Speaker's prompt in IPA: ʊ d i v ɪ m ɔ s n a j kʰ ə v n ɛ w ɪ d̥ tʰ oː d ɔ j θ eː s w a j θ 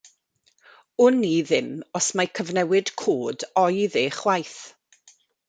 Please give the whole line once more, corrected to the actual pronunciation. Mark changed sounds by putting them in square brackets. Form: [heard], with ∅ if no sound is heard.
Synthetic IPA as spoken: ʊ [n] i [ð] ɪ m ɔ s [m] a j kʰ ə v n ɛ w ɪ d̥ [kʰ] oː d ɔ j [ð] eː [χ] w a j θ